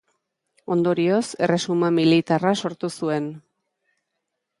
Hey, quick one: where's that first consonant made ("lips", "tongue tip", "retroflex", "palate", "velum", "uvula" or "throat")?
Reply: tongue tip